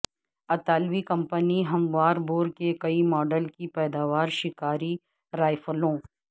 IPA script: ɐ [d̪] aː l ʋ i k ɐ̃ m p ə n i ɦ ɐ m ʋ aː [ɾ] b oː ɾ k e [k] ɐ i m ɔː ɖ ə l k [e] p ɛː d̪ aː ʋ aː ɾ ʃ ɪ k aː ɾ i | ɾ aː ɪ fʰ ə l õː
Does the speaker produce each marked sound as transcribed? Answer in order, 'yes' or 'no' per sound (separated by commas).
no, yes, yes, no